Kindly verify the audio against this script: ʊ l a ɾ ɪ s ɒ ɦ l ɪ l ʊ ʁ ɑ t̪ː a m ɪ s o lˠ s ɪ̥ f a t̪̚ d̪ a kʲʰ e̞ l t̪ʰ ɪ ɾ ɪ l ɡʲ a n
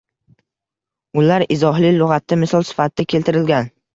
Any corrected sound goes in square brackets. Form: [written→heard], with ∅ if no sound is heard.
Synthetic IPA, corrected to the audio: ʊ l a ɾ ɪ [s→z] ɒ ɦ l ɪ l ʊ ʁ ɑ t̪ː a m ɪ s [o→ɒ] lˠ s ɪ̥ f a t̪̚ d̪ a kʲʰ e̞ l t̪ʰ ɪ ɾ ɪ l ɡʲ a n